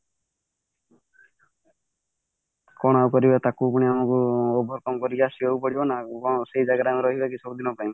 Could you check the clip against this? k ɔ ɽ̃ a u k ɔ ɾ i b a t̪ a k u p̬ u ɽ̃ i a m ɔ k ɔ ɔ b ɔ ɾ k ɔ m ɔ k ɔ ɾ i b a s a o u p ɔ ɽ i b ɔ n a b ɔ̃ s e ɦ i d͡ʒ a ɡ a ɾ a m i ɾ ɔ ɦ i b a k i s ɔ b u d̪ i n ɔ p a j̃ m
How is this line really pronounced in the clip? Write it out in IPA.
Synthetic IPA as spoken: k ɔ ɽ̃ a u k ɔ ɾ i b a t̪ a k u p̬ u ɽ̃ i a m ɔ k u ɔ b ɔ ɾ k ɔ m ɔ k ɔ ɾ i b a s i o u p ɔ ɽ i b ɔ n a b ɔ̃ s e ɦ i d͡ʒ a ɡ a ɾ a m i ɾ ɔ ɦ i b a k i s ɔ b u d̪ i n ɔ p a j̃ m